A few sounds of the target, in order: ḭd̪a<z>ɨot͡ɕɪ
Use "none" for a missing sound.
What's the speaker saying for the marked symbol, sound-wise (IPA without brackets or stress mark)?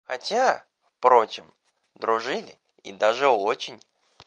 ʐ